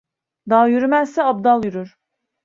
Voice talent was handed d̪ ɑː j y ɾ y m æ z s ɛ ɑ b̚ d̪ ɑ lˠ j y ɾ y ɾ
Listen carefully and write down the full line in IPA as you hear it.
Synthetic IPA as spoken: d̪ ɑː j y ɾ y m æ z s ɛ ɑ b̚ d̪ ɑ lˠ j y ɾ y ɾ